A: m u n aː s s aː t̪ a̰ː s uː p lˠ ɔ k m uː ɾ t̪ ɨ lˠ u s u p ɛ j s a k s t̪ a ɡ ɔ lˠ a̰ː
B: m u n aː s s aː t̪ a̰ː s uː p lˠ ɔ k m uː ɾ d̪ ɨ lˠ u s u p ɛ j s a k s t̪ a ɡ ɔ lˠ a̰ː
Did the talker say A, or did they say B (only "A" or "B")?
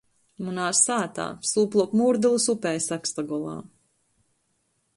B